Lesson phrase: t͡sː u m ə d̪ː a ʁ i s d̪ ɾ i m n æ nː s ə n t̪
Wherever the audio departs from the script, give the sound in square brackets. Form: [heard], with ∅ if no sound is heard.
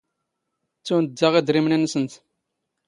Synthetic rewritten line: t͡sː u [n] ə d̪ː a ʁ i [∅] d̪ ɾ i m n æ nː s ə n t̪